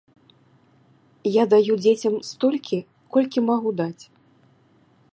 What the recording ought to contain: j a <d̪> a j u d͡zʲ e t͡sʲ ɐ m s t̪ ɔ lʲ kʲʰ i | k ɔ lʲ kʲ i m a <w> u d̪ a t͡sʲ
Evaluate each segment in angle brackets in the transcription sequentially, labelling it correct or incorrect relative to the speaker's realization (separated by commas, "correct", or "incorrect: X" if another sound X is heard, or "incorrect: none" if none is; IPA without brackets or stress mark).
correct, incorrect: ɣ